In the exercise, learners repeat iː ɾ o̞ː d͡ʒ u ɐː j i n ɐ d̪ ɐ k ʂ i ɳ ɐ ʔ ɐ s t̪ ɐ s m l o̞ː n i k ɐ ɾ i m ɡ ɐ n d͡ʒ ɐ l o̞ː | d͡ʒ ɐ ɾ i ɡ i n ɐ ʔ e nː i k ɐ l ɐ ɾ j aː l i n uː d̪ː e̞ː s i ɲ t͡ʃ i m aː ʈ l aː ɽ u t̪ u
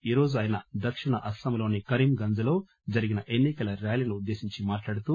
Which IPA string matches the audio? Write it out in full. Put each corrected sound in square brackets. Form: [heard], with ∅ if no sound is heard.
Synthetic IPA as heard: iː ɾ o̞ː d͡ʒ u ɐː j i n ɐ d̪ ɐ k ʂ i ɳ ɐ ʔ ɐ s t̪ ɐ [∅] m l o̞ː n i k ɐ ɾ i m ɡ ɐ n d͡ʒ ɐ l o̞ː | d͡ʒ ɐ ɾ i ɡ i n ɐ ʔ e nː i k ɐ l ɐ ɾ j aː l i n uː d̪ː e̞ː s i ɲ t͡ʃ i m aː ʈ l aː ɽ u t̪ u